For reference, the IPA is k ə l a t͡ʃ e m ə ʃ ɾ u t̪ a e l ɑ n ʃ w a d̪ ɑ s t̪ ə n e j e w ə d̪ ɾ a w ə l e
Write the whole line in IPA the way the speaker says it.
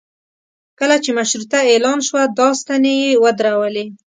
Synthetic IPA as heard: k ə l a t͡ʃ e m a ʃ ɾ u t̪ a e l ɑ n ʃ w a d̪ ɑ s t̪ a n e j e w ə d̪ ɾ a w ə l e

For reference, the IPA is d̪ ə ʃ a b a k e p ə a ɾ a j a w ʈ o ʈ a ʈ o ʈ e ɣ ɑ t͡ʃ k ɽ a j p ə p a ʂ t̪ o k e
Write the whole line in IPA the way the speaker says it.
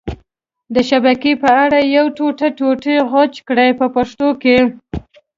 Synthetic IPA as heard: d̪ ə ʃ a b a k e p ə a ɽ a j a w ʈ o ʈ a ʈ o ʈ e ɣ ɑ t͡ʃ k ɽ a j p ə p a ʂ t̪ o k e

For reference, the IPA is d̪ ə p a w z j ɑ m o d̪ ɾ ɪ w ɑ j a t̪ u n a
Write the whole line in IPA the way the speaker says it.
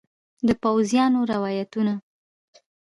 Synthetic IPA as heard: d̪ ə p a w z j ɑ n o ɾ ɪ w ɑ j a t̪ u n a

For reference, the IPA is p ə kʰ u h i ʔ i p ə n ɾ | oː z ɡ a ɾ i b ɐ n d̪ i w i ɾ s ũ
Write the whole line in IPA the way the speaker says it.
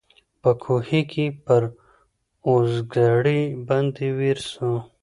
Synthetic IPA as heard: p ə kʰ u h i k i p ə ɾ | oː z ɡ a ɽ i b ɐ n d̪ i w i ɾ s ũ

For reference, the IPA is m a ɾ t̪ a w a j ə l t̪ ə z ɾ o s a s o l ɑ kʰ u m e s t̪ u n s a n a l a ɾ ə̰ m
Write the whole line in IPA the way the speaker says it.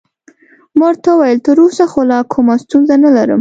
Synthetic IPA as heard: m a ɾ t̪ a w a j ə l t̪ ə ɾ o s a x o l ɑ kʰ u m a s t̪ u n z a n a l a ɾ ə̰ m

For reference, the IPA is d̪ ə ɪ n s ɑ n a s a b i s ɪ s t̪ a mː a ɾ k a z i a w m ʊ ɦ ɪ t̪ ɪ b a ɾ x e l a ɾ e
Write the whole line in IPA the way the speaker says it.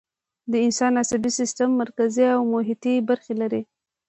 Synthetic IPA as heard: d̪ ə ɪ n s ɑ n a s a b i s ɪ s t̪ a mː a ɾ k a z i a w m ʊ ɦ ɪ t̪ i b a ɾ x e l a ɾ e

